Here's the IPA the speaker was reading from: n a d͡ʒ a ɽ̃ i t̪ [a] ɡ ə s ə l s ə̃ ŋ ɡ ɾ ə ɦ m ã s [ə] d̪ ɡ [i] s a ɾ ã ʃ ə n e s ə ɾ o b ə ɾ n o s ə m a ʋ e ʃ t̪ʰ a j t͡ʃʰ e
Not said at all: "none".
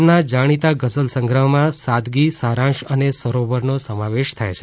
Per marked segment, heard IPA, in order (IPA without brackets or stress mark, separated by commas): a, a, i